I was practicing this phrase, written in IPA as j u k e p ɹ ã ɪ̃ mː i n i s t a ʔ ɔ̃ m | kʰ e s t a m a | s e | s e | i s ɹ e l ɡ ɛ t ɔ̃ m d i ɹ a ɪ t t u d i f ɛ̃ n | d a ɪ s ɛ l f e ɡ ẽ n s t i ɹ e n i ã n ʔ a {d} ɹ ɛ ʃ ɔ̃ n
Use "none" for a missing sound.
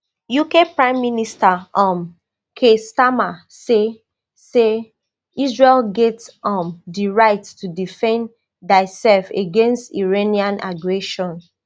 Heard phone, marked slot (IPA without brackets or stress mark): ɡ